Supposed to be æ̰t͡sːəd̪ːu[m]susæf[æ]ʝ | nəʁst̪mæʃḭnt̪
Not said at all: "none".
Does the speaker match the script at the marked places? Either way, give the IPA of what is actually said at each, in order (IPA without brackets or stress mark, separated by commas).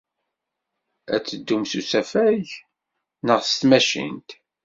m, æ